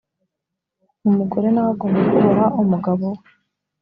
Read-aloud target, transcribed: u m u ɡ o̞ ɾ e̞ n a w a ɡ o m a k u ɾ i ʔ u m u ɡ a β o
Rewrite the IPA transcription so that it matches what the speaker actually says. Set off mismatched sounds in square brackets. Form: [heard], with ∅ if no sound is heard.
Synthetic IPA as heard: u m u ɡ o̞ ɾ e̞ n a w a ɡ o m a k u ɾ [a] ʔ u m u ɡ a β o